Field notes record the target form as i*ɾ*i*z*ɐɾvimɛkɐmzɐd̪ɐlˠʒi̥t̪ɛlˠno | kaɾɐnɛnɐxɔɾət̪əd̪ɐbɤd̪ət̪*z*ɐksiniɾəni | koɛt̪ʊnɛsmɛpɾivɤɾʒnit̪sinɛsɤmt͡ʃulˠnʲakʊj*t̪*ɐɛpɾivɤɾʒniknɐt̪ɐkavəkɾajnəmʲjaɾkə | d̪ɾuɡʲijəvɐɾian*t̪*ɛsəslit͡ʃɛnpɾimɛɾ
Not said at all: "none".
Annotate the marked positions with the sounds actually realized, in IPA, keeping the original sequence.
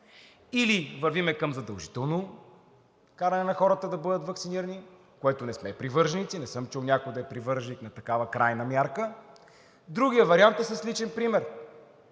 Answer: l, v, v, d̪, t̪

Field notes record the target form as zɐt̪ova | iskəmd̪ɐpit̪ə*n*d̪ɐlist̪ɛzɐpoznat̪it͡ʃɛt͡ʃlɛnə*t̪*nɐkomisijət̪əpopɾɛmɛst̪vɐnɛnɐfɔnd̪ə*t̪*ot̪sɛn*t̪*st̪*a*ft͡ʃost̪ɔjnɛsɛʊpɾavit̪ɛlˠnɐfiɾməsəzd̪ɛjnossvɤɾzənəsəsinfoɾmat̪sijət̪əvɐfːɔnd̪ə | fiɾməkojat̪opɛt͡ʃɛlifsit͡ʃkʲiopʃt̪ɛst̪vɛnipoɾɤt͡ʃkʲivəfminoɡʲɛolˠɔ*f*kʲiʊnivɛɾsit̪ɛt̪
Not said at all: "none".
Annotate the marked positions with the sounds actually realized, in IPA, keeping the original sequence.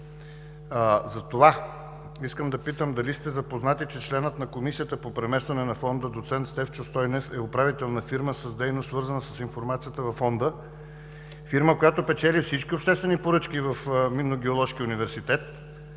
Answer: m, t̪, d̪, t̪, ɛ, ʃ

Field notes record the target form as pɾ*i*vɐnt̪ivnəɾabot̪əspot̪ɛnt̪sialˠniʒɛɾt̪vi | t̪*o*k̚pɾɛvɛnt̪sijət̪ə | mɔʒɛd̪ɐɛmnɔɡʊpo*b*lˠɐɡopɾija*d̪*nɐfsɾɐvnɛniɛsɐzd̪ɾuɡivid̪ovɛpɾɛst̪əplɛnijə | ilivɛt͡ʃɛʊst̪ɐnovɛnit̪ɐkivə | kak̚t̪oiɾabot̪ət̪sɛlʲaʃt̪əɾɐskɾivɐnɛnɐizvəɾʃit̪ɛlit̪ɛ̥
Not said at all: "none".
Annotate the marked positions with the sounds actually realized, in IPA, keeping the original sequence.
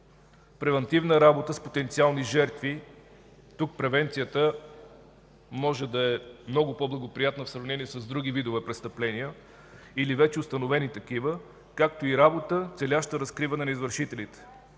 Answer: ɛ, u, b, t̪

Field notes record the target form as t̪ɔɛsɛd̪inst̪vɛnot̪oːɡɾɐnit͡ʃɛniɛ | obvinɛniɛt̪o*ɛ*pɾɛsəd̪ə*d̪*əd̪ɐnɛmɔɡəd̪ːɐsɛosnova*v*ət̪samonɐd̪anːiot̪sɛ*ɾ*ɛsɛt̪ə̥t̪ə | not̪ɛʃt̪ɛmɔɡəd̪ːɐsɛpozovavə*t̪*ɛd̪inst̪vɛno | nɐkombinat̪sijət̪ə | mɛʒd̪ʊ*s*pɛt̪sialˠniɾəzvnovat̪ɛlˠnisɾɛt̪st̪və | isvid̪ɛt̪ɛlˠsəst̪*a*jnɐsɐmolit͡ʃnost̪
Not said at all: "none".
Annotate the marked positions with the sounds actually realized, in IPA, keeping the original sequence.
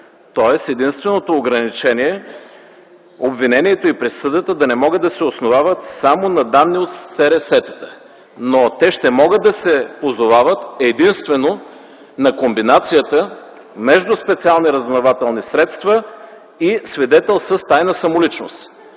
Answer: i, t̪, v, ɾ, t̪, s, a

